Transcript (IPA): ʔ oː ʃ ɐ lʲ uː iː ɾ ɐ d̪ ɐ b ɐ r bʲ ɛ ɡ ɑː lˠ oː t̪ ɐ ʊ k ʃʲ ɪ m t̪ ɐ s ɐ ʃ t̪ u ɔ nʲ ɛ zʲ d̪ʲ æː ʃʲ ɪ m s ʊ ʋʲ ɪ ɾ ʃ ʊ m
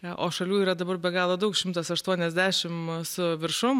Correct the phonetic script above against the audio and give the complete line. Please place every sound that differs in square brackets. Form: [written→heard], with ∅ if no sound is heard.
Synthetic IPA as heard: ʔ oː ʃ ɐ lʲ uː iː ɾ ɐ d̪ ɐ b ɐ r bʲ ɛ ɡ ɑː lˠ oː [t̪→d̪] ɐ ʊ k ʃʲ ɪ m t̪ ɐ s ɐ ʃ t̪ u ɔ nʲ ɛ zʲ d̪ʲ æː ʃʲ ɪ m s ʊ ʋʲ ɪ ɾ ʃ ʊ m